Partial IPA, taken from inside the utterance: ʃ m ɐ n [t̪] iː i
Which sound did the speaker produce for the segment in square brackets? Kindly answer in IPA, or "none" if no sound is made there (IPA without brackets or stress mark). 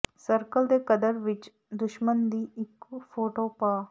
d̪